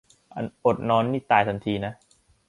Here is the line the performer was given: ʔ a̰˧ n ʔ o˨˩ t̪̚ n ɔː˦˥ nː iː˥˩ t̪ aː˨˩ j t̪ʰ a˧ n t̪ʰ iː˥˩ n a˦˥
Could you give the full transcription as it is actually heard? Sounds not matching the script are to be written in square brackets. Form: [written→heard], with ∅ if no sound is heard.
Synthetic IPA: ʔ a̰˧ n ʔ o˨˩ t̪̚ n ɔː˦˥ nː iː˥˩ t̪ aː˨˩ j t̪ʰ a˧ n t̪ʰ [iː˥˩→iː˧] n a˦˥